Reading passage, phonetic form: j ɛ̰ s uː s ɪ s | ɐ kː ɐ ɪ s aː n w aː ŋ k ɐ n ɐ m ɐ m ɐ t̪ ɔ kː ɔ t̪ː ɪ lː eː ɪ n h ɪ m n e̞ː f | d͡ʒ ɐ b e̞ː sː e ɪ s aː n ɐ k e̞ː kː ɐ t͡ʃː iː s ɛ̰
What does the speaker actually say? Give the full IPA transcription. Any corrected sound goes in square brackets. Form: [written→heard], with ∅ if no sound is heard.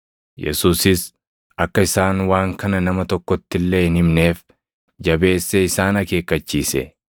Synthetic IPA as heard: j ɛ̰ s uː s ɪ s | ɐ kː ɐ ɪ s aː n w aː ŋ k ɐ n ɐ [m→n] ɐ m ɐ t̪ ɔ kː ɔ t̪ː ɪ lː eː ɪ n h ɪ m n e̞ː f | d͡ʒ ɐ b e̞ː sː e ɪ s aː n ɐ k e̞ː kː ɐ t͡ʃː iː s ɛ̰